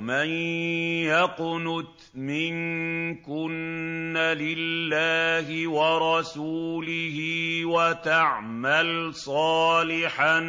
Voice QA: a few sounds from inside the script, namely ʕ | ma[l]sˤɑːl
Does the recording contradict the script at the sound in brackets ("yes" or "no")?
no